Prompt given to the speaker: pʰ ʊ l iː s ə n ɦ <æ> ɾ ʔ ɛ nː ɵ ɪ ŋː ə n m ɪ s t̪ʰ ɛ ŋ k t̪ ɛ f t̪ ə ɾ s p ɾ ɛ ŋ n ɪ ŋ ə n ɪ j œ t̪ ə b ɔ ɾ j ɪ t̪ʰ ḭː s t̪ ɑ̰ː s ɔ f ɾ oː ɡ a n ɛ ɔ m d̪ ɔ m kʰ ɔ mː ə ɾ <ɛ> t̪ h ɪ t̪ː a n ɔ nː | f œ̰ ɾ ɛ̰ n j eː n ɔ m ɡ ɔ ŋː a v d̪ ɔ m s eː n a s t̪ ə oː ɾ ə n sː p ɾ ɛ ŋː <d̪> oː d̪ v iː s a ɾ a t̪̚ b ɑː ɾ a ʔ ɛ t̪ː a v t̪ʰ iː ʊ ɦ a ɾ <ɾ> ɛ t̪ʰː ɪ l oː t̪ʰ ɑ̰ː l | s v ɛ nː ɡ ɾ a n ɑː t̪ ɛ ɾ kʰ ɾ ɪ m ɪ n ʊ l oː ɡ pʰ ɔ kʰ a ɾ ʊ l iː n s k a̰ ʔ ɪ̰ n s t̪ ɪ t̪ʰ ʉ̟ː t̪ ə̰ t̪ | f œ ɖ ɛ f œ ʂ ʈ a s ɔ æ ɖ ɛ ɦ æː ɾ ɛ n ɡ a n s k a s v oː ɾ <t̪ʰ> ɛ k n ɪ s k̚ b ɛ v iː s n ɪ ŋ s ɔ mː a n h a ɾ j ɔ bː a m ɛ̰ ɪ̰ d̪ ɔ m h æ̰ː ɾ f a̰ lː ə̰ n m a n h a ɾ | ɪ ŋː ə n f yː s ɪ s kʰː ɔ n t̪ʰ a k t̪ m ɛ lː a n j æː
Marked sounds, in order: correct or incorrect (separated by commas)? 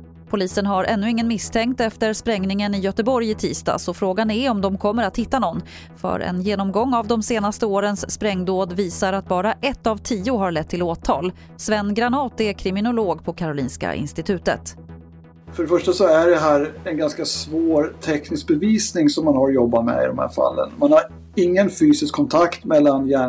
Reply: incorrect, incorrect, correct, incorrect, correct